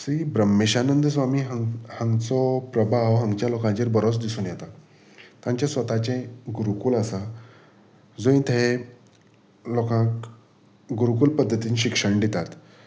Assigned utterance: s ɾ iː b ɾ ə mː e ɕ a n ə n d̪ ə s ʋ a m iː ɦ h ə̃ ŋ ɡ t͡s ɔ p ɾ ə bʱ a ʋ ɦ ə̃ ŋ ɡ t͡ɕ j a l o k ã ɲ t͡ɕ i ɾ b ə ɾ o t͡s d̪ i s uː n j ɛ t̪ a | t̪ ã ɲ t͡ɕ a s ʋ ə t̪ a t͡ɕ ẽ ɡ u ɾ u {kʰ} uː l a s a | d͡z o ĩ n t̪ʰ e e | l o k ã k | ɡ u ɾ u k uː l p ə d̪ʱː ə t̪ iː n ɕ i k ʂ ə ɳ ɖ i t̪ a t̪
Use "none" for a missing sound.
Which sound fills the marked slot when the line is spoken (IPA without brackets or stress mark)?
k